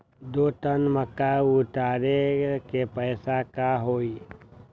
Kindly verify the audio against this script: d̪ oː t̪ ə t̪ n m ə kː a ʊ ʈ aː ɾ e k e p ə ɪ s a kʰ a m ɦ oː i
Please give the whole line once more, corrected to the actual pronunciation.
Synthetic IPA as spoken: d̪ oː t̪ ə n m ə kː a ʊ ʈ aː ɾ e k e p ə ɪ s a k a ɦ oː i